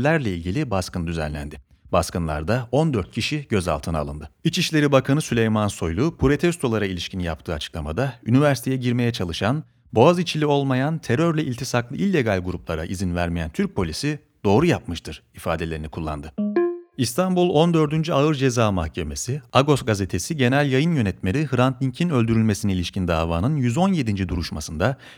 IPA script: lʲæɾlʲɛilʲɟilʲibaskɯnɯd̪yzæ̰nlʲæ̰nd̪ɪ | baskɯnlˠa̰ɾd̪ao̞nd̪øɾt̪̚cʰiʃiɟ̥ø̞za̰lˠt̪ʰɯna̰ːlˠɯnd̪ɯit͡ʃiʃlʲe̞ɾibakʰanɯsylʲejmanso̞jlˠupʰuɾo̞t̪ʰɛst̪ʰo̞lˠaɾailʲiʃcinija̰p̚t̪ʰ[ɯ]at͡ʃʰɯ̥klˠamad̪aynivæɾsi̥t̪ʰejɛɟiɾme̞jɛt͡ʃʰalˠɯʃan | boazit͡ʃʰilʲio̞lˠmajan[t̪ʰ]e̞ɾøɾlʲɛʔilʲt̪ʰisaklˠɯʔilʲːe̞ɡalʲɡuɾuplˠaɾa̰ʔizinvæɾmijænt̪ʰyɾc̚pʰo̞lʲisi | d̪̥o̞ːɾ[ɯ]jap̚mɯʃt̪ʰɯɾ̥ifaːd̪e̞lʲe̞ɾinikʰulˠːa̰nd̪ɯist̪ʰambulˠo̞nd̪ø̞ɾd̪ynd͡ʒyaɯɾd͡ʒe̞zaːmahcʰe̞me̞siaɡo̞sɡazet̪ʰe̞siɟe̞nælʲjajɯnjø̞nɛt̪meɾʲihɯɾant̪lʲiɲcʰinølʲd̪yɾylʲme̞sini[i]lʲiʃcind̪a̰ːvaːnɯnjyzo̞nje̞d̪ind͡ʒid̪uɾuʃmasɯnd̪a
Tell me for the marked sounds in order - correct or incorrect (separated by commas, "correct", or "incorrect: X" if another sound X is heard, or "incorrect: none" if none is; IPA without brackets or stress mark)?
incorrect: ɯː, correct, incorrect: u, correct